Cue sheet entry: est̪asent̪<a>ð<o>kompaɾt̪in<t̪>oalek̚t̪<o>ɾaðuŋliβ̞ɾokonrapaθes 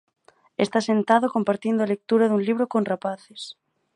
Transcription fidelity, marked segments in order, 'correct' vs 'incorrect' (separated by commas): correct, correct, incorrect, incorrect